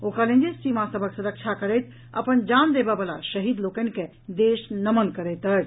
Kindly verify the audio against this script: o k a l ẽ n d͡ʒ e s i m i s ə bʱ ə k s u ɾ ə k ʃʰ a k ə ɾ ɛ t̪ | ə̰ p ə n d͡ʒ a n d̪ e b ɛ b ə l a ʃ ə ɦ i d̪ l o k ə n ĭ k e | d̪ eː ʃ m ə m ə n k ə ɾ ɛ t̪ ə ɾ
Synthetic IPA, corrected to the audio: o k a l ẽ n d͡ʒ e s i m a s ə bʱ ə k s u ɾ ə k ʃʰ a k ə ɾ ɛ t̪ | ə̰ p ə n d͡ʒ a n d̪ e b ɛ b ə l a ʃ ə ɦ i d̪ l o k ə n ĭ k e | d̪ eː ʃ n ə m ə n k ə ɾ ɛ t̪ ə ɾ